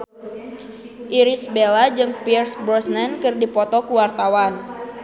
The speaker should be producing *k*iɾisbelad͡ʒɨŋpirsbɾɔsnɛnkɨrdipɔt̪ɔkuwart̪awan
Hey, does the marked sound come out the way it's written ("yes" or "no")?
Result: no